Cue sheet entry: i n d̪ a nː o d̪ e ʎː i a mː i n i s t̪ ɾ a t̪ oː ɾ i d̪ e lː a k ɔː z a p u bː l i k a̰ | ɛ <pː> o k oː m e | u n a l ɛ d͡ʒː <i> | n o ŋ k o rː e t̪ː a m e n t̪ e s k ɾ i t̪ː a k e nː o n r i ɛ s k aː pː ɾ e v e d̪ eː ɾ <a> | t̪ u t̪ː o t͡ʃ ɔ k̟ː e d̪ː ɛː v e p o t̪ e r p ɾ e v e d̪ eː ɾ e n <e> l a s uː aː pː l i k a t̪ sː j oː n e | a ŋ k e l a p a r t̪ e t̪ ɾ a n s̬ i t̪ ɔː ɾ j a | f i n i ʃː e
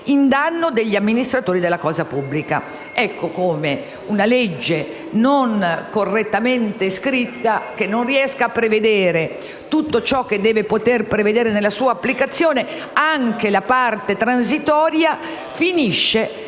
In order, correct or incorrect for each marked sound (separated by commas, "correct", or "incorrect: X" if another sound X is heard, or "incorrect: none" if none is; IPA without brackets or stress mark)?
incorrect: kː, incorrect: e, incorrect: e, correct